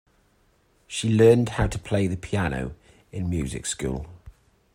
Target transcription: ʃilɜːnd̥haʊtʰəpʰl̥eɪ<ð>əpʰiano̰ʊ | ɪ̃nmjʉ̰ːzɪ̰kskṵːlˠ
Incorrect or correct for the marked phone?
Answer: correct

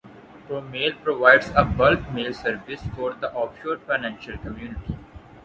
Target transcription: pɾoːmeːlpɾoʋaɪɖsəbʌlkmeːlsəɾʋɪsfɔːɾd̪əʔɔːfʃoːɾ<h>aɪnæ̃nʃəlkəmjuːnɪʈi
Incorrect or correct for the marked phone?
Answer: incorrect: f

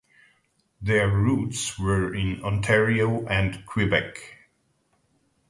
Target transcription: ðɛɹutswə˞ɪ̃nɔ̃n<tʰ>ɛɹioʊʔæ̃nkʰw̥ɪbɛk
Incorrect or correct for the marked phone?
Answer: correct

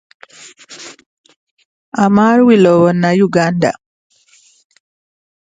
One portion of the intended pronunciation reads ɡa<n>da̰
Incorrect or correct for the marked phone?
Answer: correct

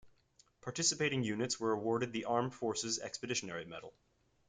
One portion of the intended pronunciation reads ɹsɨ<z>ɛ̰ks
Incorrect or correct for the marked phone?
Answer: correct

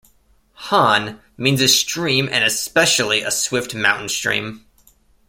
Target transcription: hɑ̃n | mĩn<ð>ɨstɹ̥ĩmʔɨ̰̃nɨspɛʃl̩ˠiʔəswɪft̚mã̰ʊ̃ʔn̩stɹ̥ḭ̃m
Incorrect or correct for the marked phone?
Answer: incorrect: z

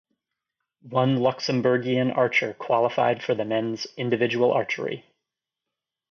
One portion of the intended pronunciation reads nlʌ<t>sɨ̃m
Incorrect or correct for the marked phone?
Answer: incorrect: k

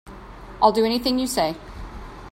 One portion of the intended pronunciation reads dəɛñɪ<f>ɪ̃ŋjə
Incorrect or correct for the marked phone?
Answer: incorrect: θ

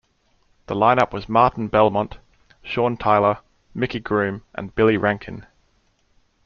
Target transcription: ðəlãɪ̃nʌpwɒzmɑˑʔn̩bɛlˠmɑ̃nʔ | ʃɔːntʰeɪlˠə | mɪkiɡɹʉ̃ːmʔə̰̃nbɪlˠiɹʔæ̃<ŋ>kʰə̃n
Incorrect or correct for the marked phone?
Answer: correct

